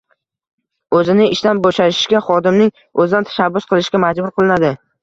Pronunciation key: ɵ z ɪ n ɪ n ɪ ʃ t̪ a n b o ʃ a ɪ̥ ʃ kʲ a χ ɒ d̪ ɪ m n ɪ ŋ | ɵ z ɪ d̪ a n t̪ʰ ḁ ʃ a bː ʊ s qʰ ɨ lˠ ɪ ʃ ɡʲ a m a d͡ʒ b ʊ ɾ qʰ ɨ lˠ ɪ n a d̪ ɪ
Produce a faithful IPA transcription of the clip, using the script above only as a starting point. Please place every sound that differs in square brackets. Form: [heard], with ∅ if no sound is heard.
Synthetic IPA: ɵ z ɪ n ɪ [∅] ɪ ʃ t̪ a n b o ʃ a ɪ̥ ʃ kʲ a χ ɒ d̪ ɪ m n ɪ ŋ | ɵ z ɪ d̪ a n t̪ʰ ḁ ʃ a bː ʊ s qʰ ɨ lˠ ɪ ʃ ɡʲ a m a d͡ʒ b ʊ ɾ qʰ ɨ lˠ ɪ n a d̪ ɪ